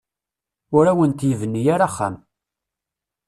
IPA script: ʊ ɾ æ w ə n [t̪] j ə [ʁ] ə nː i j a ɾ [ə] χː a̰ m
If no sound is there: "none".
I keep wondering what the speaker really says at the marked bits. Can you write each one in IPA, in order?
t̪, v, a

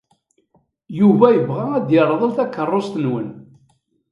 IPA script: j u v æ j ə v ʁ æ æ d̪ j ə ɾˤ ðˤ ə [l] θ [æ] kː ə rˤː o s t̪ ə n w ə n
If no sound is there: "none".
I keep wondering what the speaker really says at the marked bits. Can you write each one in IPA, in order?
l, æ

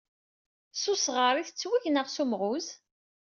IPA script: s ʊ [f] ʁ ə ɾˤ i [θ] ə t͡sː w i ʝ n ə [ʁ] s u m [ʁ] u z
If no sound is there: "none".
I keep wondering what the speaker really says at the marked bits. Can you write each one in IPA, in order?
s, θ, ʁ, ʁ

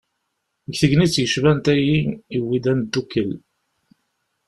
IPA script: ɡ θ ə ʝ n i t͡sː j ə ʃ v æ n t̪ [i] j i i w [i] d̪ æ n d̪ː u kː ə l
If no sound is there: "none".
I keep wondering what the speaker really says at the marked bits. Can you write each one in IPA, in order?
æ, i

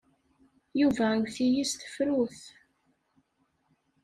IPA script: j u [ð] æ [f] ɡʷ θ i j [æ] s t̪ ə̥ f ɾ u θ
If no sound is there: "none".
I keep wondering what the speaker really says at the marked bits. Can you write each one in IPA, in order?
v, none, i

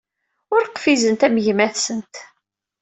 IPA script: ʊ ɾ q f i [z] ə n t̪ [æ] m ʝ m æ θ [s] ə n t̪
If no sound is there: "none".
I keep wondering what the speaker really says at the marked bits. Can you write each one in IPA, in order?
z, æ, s

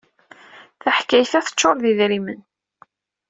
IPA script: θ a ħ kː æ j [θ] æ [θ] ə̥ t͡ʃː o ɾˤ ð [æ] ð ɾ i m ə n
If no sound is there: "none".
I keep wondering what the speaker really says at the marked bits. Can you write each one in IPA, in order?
θ, θ, i

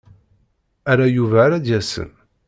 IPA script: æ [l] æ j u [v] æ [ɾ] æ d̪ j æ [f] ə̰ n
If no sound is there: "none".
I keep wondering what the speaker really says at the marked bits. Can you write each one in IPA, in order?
ɾ, v, ɾ, s

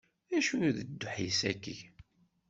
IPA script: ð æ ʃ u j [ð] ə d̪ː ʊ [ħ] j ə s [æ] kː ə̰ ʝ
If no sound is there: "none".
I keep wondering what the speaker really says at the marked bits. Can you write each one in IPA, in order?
ð, ħ, æ

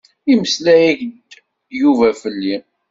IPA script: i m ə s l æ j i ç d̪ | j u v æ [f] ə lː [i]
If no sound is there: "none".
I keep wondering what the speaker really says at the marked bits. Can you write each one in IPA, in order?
f, i

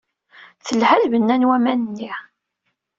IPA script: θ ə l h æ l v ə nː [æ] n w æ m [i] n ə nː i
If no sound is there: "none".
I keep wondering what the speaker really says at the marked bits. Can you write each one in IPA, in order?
æ, æ

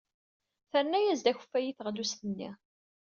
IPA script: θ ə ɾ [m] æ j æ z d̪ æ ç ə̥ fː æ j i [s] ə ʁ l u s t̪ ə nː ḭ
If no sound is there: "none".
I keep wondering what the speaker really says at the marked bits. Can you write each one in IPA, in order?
n, θ

